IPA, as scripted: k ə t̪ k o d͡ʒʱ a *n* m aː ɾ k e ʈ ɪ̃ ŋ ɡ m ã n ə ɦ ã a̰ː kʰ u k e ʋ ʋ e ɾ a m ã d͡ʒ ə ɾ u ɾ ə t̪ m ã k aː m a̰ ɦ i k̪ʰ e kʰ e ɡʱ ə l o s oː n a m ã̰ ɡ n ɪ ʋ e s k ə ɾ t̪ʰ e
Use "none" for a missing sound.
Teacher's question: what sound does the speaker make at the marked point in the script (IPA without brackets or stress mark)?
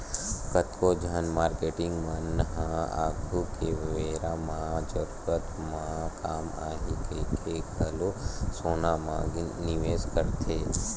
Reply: n